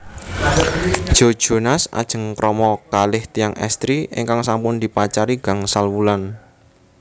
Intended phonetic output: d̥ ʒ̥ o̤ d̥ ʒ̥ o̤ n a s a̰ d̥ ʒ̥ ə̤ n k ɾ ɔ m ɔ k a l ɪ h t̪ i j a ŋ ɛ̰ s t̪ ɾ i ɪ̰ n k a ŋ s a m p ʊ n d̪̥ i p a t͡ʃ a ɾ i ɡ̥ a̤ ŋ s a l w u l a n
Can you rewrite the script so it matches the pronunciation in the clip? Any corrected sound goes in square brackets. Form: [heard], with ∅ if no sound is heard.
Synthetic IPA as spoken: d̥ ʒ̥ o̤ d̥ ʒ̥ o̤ n a s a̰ d̥ ʒ̥ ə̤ [ŋ] k ɾ ɔ m ɔ k a l ɪ h t̪ i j a ŋ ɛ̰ s t̪ ɾ i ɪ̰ [ŋ] k a ŋ s a m p ʊ n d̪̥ i p a t͡ʃ a ɾ i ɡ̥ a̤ ŋ s a l w u l a n